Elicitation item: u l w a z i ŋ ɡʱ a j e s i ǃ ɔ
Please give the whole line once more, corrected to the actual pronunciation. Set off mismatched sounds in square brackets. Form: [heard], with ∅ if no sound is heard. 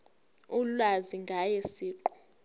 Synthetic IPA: u l w a z i ŋ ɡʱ a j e s [iː] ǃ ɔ